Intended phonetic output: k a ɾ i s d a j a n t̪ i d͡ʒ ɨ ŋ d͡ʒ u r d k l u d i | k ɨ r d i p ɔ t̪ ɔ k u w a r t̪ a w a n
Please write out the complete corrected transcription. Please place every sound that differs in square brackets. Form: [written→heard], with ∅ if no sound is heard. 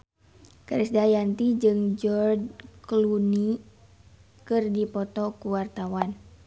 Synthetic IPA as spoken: k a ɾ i s d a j a n t̪ i d͡ʒ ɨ ŋ d͡ʒ [u→ɔ] r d k l u [d→n] i | k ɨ r d i p ɔ t̪ ɔ k u w a r t̪ a w a n